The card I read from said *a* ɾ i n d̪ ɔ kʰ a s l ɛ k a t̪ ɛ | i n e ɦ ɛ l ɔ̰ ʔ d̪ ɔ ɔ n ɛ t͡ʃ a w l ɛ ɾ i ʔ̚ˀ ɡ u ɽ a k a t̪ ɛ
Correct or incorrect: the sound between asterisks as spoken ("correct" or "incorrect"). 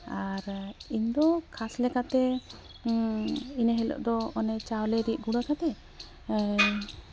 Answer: correct